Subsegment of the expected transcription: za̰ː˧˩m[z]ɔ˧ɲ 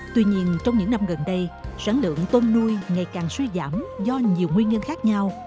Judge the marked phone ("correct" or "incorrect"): correct